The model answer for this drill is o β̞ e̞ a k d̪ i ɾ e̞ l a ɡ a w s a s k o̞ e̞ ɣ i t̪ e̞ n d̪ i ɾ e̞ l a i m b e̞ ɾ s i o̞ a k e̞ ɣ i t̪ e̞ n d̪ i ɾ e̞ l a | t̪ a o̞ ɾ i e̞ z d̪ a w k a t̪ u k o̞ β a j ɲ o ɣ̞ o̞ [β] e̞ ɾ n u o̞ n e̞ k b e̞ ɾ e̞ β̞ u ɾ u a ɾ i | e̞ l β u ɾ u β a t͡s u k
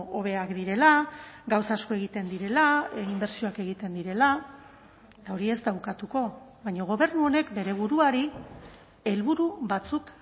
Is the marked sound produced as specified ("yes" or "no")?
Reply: yes